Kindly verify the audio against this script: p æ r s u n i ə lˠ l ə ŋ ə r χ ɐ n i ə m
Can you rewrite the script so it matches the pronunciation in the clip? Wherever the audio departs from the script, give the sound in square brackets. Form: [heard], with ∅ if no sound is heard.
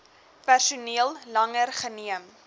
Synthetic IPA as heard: p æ r s u n i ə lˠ l [ɐ] ŋ ə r χ [ə] n i ə m